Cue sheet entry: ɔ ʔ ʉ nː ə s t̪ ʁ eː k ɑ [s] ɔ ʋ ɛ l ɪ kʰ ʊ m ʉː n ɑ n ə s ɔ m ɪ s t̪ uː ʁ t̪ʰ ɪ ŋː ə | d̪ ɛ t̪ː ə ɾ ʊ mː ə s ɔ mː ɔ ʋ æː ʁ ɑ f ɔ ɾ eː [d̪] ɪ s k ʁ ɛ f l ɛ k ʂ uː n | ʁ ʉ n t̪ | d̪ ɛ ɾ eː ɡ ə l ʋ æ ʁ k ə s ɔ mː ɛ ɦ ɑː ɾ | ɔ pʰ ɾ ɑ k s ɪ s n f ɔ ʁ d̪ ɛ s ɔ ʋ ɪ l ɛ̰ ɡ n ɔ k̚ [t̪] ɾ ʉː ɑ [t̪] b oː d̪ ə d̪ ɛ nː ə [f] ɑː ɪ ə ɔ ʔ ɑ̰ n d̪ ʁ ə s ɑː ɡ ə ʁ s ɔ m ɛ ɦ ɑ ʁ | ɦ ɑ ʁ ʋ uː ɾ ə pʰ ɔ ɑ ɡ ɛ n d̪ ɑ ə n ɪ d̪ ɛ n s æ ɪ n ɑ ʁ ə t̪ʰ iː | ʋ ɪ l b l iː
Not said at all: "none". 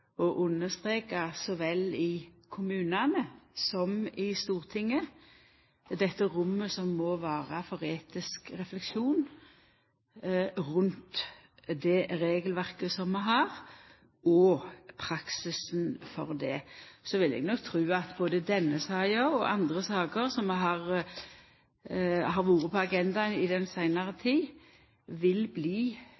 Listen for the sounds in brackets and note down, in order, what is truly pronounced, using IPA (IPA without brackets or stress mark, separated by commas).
s, t̪, t̪ʰ, t̪, s